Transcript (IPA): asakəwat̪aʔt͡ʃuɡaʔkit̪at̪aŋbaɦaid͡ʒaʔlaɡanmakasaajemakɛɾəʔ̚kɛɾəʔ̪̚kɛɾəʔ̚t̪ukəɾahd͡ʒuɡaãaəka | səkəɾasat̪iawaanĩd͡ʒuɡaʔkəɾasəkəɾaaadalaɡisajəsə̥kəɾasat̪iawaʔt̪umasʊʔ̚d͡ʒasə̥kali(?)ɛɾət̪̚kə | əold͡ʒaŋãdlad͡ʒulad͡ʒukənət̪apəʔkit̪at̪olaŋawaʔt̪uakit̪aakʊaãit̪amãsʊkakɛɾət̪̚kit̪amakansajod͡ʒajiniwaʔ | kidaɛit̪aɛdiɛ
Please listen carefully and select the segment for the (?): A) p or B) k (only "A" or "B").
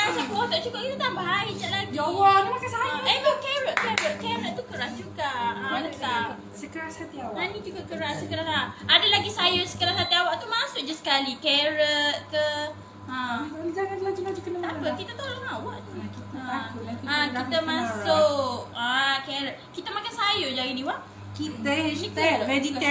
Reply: B